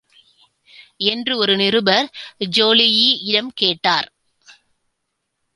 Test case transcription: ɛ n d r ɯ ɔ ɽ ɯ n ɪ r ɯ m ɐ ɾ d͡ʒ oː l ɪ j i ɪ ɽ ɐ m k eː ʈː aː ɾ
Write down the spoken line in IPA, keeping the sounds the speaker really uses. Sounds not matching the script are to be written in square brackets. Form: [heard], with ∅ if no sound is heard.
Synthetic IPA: ɛ n d r ɯ ɔ [ɾ] ɯ n ɪ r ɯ [b] ɐ ɾ d͡ʒ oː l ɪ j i ɪ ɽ ɐ m k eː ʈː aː ɾ